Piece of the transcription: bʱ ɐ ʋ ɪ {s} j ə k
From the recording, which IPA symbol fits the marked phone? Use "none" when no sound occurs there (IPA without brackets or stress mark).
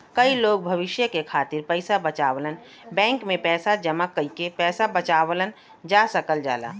ʃ